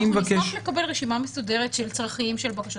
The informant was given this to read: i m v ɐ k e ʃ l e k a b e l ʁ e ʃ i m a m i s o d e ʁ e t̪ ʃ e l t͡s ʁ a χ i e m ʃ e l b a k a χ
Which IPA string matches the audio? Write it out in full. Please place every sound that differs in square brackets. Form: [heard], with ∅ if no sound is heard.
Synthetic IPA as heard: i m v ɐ k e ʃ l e k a b e l ʁ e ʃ i m a m [e] s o d e ʁ e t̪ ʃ e l t͡s ʁ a χ i [i] m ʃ e l b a k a [ʃ]